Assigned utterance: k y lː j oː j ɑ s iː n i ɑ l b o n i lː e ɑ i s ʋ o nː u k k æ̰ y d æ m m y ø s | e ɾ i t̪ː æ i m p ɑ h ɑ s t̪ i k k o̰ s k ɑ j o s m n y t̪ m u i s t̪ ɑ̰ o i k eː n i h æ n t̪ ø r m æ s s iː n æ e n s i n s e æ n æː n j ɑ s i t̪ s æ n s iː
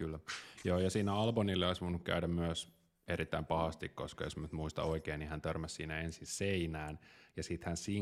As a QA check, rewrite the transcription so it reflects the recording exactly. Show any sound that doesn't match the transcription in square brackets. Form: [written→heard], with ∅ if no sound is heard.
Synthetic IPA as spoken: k y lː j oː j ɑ s iː n [i→æ] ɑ l b o n i lː e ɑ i s ʋ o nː u k k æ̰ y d æ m m y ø s | e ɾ i t̪ː æ i m p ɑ h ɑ s t̪ i k k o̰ s k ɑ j o s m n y t̪ m u i s t̪ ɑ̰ o i k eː n i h æ n t̪ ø r m æ s s iː n æ e n s i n s e [æ→i] n æː n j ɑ s i t̪ [s→h] æ n s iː